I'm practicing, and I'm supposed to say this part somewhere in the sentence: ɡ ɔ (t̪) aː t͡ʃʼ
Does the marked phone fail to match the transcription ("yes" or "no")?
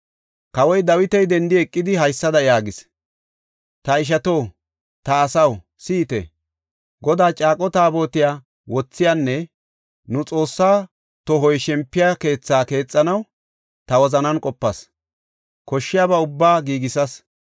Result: yes